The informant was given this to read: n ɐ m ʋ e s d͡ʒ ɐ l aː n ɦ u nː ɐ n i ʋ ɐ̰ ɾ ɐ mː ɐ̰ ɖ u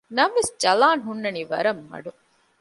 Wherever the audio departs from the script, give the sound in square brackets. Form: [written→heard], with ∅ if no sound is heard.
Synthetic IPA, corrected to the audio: n ɐ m ʋ e s d͡ʒ ɐ l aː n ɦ u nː ɐ n i ʋ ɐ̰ ɾ ɐ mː ɐ̰ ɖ u